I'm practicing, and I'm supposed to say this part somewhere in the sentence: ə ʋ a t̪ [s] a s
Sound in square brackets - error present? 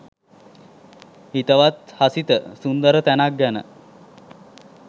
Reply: yes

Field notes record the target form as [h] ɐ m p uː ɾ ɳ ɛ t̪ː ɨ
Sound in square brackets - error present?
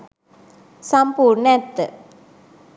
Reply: yes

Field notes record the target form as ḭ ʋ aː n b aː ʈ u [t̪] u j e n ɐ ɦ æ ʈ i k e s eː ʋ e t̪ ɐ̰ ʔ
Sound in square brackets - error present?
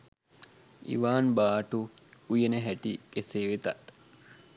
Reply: yes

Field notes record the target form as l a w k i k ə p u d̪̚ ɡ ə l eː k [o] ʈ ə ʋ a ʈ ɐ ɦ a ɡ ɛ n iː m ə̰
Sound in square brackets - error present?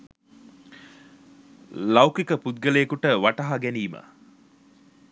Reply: yes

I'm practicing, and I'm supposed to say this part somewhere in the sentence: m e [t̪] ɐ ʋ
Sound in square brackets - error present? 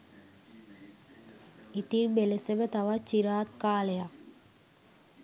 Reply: no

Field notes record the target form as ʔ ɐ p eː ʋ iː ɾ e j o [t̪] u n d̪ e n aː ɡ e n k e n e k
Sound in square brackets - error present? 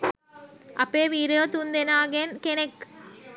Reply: no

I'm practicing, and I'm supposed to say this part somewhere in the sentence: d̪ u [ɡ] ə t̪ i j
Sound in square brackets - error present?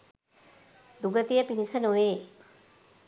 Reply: no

